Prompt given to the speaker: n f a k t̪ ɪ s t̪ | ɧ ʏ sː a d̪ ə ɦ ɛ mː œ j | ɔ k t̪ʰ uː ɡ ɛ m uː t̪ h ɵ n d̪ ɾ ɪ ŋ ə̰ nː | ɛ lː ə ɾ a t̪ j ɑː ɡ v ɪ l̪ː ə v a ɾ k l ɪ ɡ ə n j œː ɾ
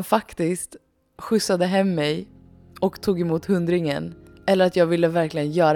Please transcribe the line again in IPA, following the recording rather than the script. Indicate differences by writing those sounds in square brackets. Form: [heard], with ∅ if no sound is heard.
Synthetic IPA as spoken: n f a k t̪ ɪ s t̪ | ɧ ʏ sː a d̪ ə ɦ ɛ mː [ɛ] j | ɔ k t̪ʰ uː ɡ ɛ m uː t̪ h ɵ n d̪ ɾ ɪ ŋ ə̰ [n] | ɛ lː ə ɾ a t̪ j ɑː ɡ v ɪ l̪ː ə v [æ] ɾ k l ɪ ɡ ə n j œː ɾ